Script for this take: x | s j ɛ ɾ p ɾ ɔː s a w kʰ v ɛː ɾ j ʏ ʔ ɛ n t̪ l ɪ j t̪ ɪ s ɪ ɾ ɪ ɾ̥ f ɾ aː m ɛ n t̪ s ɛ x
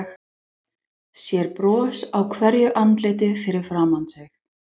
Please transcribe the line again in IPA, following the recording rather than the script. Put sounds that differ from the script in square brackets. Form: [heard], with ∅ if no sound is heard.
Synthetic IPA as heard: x | s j ɛ ɾ p ɾ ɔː s a w kʰ v [ɛ] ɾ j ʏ ʔ [a] n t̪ l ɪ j t̪ ɪ [f] ɪ ɾ ɪ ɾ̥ f ɾ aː m [a] n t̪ s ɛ x